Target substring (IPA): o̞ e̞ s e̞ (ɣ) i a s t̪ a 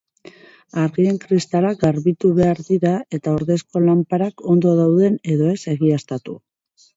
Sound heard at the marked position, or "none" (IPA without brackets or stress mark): ɣ